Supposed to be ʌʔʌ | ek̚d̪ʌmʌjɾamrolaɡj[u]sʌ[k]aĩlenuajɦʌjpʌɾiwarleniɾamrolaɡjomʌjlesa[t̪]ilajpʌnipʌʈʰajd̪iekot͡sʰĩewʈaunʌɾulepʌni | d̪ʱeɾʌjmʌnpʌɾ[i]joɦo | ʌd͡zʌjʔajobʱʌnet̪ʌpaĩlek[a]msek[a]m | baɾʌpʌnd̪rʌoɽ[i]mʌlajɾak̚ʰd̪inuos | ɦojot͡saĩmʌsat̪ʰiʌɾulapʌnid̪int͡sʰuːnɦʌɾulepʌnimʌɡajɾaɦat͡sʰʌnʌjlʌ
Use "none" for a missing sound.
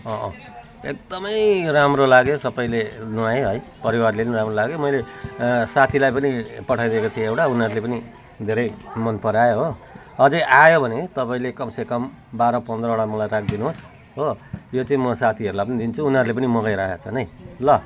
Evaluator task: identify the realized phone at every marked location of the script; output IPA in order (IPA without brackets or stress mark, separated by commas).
o, p, t̪ʰ, a, ʌ, ʌ, a